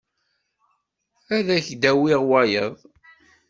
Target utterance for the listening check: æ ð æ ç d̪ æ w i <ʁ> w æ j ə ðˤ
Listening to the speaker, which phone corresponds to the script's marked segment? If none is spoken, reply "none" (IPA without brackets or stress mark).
ʁ